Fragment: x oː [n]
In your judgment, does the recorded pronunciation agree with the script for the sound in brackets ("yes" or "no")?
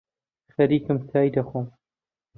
no